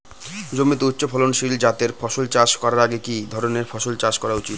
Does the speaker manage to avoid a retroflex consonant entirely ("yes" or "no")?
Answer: yes